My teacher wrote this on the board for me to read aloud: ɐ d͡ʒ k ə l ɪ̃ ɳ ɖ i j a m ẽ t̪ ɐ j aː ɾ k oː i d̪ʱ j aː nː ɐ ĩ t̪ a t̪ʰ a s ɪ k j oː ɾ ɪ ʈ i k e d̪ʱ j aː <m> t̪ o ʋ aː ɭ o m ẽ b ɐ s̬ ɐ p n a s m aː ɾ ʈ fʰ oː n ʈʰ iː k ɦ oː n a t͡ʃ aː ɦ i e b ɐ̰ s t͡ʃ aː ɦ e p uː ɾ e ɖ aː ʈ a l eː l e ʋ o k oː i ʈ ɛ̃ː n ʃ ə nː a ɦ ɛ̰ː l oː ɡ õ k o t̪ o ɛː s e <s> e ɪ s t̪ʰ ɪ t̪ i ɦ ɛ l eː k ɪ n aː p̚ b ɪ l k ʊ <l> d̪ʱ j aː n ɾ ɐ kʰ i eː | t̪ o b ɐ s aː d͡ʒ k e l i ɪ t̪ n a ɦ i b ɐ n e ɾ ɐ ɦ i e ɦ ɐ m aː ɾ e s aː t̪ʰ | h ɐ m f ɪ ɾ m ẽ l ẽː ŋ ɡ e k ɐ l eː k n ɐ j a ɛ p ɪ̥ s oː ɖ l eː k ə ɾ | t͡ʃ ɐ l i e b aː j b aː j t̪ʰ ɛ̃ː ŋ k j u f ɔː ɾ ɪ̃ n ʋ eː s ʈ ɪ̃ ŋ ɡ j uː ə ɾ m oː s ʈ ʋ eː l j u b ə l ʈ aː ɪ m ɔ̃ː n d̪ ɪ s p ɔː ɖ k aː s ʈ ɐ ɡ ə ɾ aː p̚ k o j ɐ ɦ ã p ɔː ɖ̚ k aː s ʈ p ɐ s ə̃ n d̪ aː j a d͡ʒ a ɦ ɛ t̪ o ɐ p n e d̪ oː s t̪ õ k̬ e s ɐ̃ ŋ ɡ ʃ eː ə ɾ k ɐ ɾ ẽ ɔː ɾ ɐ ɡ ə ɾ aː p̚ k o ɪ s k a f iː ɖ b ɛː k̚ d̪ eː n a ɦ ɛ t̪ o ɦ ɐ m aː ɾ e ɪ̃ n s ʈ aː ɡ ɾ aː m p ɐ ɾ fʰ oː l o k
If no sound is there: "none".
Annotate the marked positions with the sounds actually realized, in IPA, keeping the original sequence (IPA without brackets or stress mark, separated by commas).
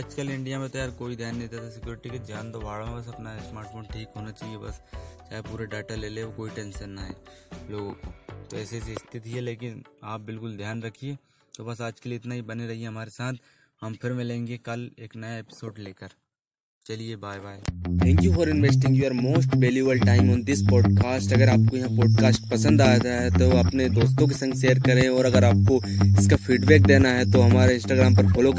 n, s, l